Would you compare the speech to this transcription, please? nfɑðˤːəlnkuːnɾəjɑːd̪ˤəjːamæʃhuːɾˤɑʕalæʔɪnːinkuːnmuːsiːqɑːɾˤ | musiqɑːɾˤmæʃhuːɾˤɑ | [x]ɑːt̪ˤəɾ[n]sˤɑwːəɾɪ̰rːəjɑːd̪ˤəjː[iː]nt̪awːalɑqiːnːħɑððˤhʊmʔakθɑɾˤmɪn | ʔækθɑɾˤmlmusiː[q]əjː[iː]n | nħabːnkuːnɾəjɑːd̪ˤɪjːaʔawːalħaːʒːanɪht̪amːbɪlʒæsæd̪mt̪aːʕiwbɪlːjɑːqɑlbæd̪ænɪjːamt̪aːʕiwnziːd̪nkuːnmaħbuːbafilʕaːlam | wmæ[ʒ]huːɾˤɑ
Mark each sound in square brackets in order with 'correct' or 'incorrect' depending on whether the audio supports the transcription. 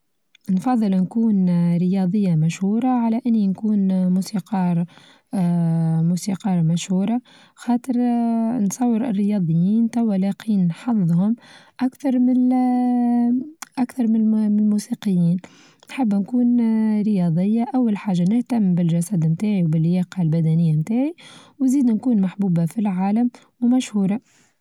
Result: correct, correct, correct, correct, correct, incorrect: ʃ

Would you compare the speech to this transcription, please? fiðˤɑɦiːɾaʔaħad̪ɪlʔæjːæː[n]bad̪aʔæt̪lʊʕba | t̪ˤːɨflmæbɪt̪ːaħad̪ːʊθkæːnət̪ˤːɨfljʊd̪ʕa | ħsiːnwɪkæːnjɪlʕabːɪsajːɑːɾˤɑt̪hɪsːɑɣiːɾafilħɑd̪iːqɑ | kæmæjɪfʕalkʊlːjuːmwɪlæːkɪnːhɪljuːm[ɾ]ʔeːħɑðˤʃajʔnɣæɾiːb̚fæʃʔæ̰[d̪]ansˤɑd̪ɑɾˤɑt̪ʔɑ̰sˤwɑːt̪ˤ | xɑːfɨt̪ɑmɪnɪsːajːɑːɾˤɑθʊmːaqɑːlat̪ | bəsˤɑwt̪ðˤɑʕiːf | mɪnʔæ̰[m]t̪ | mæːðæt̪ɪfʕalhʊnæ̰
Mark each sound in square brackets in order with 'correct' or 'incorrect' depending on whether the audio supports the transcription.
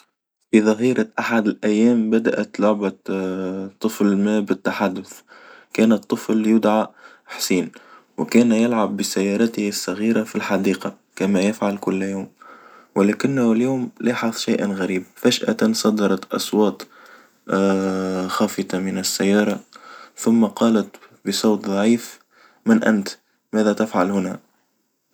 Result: incorrect: m, incorrect: l, incorrect: t̪, incorrect: n

